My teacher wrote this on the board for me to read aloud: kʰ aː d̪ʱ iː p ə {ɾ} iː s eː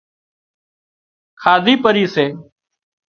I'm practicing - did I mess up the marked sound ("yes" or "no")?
no